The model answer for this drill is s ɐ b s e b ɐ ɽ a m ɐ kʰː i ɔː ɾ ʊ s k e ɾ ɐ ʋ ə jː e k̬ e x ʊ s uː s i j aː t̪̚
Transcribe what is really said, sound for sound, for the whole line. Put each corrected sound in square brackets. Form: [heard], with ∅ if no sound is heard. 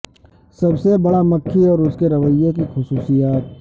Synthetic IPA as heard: s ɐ b s e b ɐ ɽ a m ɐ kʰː i ɔː ɾ ʊ s k e ɾ ɐ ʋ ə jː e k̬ [i] x ʊ s uː s i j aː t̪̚